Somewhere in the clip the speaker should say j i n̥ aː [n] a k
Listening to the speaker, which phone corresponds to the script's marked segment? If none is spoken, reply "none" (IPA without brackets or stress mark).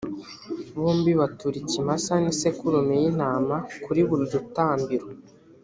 m